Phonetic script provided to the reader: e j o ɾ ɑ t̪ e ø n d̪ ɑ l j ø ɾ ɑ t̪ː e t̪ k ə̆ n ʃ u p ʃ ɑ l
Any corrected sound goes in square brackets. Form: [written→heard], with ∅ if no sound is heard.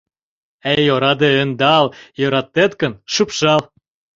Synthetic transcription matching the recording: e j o ɾ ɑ [t̪→d̪] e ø n d̪ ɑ l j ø ɾ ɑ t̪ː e t̪ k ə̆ n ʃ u p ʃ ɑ l